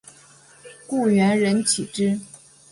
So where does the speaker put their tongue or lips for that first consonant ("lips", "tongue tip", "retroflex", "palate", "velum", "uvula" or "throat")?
velum